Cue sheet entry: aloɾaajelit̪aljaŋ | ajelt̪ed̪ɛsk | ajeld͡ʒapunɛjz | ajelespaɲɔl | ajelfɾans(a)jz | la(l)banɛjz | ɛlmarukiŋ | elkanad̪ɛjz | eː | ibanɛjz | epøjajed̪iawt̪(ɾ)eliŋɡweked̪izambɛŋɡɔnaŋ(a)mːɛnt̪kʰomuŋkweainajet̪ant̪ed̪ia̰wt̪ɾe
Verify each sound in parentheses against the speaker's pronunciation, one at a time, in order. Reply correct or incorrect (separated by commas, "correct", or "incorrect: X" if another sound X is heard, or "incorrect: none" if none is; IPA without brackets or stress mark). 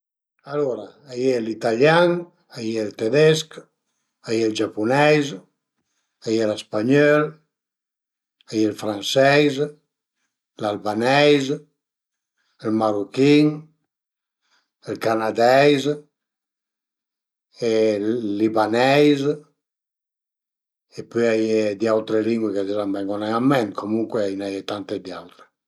incorrect: ɛ, correct, correct, correct